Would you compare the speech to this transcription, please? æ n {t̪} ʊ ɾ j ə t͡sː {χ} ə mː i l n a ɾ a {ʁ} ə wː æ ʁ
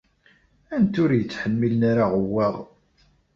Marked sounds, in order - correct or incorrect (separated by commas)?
correct, incorrect, correct